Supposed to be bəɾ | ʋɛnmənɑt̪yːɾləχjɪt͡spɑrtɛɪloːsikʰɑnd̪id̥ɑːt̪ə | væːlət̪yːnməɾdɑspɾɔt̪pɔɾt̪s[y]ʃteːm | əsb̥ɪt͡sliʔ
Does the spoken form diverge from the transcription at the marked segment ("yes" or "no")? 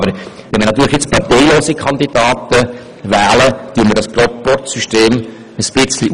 no